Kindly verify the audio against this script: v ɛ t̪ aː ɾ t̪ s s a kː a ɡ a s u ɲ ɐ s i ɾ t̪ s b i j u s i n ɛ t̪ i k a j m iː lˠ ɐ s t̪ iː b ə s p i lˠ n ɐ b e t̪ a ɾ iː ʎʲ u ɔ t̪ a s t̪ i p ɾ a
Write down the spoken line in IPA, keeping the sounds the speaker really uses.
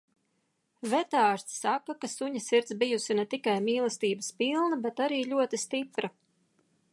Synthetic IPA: v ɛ t̪ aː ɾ t̪ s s a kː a k a s u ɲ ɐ s i ɾ t̪ s b i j u s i n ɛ t̪ i k a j m iː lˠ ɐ s t̪ iː b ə s p i lˠ n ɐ b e t̪ a ɾ iː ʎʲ u ɔ t̪ i s t̪ i p ɾ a